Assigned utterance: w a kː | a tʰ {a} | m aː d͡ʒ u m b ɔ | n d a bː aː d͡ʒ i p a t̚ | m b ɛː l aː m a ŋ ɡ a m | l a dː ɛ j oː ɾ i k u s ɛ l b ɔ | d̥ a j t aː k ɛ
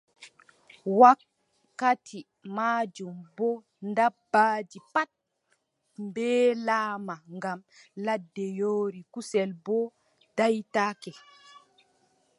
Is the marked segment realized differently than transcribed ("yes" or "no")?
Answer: yes